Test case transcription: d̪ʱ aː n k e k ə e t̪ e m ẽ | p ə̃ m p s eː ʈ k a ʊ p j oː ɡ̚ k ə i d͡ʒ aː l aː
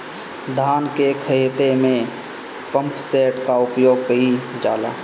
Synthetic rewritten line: d̪ʱ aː n k e kʰ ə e t̪ e m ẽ | p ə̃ m p s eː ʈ k a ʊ p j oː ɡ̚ k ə i d͡ʒ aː l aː